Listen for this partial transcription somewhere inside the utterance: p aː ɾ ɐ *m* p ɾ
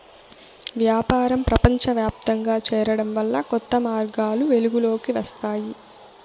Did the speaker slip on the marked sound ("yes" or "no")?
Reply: no